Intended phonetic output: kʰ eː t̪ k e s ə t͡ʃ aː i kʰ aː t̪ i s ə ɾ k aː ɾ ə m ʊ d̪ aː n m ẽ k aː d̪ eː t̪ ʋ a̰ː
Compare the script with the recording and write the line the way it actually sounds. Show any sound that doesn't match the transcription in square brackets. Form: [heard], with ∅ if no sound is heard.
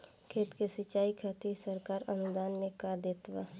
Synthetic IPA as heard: kʰ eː t̪ k e s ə t͡ʃ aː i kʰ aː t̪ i s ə ɾ k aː ɾ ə [n] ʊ d̪ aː n m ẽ k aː d̪ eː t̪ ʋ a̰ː